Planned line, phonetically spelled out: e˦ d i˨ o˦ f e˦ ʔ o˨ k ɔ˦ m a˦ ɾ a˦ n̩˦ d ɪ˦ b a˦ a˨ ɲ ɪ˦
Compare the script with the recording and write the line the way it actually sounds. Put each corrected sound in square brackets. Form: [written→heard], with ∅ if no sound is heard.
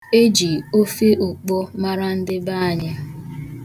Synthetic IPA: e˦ [d→d͡ʒ] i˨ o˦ f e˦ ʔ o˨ [k→k͡p] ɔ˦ m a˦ ɾ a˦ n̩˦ d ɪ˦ b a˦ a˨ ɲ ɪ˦